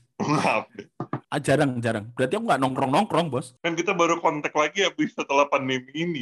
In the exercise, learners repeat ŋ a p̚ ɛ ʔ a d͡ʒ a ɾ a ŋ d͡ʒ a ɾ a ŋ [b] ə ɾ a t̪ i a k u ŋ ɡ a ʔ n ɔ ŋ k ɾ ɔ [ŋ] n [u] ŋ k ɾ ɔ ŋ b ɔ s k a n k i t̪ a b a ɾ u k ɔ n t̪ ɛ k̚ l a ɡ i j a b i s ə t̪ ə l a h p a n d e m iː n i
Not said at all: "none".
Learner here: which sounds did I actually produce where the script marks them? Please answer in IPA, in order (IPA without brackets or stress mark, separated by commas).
b, ŋ, ɔ